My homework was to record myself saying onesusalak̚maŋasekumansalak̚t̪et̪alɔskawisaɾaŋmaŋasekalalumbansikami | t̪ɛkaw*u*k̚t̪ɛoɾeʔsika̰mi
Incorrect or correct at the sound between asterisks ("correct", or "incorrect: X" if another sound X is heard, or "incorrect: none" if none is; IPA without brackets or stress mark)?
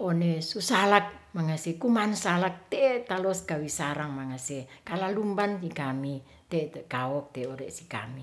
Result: incorrect: ɔ